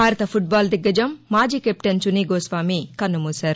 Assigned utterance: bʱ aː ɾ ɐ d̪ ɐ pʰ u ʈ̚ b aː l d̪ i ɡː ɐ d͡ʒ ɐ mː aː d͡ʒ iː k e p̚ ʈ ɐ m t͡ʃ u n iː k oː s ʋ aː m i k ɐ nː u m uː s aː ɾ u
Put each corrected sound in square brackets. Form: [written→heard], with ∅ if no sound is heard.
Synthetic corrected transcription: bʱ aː ɾ ɐ [d̪→t̪] ɐ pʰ u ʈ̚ b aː l d̪ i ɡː ɐ d͡ʒ ɐ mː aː d͡ʒ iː k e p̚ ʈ ɐ [m→n] t͡ʃ u n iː [k→ɡ] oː s ʋ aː m i k ɐ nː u m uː s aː ɾ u